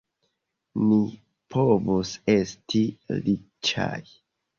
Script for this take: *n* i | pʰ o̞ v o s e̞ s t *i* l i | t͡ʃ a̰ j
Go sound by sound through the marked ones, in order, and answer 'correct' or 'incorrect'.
correct, correct

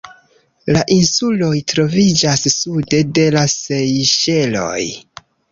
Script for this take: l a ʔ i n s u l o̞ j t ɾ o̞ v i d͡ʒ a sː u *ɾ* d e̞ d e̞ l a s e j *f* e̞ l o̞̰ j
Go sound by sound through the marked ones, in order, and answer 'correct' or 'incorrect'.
incorrect: none, incorrect: ʃ

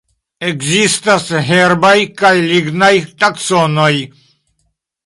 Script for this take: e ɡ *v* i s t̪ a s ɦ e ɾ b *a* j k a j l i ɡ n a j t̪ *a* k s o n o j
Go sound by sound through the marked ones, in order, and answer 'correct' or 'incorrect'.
incorrect: z, correct, correct

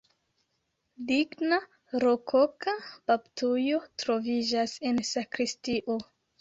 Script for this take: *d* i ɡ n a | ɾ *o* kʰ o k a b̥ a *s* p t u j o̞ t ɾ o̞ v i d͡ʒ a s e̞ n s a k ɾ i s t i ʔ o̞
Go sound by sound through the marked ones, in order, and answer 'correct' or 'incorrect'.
correct, correct, incorrect: none

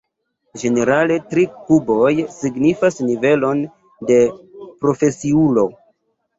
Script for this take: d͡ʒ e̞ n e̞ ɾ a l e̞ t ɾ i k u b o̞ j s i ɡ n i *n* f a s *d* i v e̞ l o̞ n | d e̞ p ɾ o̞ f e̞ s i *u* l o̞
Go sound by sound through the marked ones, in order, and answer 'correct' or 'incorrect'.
incorrect: none, incorrect: n, correct

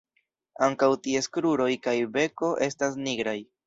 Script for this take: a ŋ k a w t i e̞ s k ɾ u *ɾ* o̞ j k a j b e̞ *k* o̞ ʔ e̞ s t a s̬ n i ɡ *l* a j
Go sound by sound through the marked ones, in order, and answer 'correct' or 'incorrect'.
correct, correct, incorrect: ɾ

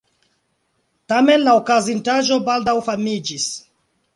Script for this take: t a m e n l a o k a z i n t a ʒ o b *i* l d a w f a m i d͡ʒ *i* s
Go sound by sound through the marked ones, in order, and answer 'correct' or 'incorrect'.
incorrect: a, correct

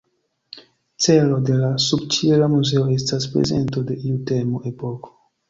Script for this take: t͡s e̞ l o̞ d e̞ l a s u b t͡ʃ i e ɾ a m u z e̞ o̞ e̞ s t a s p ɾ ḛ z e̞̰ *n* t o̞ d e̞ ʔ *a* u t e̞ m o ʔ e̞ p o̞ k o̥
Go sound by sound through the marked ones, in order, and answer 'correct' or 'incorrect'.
correct, incorrect: i

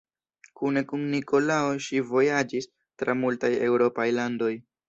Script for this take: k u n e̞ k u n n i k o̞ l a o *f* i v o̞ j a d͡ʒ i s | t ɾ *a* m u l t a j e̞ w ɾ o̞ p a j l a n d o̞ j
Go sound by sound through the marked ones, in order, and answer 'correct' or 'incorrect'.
incorrect: ʃ, correct

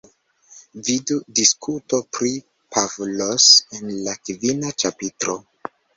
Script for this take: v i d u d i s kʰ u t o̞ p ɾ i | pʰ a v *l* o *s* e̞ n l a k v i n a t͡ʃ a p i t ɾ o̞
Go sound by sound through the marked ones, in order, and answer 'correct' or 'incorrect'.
correct, correct

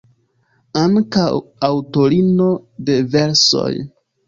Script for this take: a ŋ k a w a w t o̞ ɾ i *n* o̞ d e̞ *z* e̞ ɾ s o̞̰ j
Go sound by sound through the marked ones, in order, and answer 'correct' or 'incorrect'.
correct, incorrect: v

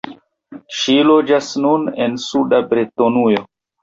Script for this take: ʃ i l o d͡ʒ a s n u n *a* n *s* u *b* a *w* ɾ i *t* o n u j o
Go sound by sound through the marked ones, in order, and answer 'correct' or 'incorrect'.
incorrect: e, correct, incorrect: d, incorrect: b, correct

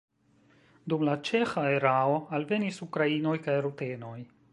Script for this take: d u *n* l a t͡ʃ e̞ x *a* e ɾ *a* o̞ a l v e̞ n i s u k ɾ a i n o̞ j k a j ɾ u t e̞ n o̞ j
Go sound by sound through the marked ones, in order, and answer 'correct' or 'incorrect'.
incorrect: m, correct, correct

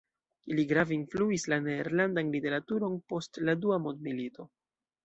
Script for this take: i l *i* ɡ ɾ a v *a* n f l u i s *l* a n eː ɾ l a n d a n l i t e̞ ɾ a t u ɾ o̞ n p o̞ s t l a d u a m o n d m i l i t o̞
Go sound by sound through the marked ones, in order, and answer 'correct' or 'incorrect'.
correct, incorrect: i, correct

